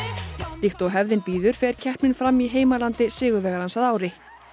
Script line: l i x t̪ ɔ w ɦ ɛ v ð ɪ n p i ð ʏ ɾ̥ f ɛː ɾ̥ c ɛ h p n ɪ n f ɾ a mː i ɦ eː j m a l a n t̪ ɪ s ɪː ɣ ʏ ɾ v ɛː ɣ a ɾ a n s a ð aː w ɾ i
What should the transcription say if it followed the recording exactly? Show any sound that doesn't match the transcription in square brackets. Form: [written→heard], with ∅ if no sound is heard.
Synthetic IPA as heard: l i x t̪ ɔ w ɦ ɛ v ð ɪ n p [i→iː] ð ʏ ɾ̥ f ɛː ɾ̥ [c→cʰ] ɛ h p n ɪ n f ɾ a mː i ɦ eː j m a l a n t̪ ɪ s ɪː ɣ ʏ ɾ v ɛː ɣ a ɾ a n s a ð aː w ɾ [i→ɪ]